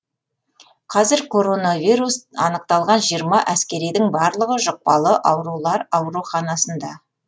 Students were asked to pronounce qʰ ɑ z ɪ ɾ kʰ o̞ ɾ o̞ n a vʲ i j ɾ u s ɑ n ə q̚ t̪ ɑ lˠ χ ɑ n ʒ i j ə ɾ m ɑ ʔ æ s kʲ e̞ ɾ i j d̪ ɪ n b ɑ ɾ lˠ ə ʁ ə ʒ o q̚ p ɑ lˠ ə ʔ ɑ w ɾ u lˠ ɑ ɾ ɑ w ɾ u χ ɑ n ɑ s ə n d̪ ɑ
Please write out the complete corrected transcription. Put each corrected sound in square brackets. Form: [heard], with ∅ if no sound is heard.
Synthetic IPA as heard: qʰ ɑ z ɪ ɾ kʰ o̞ ɾ o̞ n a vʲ i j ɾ u s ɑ n ə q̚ t̪ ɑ lˠ [ʁ] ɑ n ʒ i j ə ɾ m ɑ ʔ æ s kʲ e̞ ɾ i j d̪ ɪ [ŋ] b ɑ ɾ lˠ ə ʁ ə ʒ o q̚ p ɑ lˠ ə ʔ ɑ w ɾ u lˠ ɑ ɾ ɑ w ɾ u χ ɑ n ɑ s ə n d̪ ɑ